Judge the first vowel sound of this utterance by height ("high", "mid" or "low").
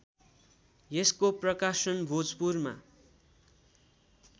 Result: mid